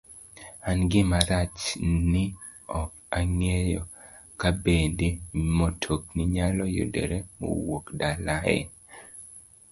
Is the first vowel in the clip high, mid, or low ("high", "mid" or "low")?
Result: low